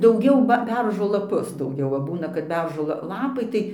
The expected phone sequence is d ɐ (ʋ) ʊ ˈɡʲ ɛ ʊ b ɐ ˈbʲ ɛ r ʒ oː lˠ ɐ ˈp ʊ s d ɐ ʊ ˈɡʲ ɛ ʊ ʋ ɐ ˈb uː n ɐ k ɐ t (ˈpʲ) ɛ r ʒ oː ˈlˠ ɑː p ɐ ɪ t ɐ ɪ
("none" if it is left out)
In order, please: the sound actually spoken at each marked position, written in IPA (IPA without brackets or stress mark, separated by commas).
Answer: none, bʲ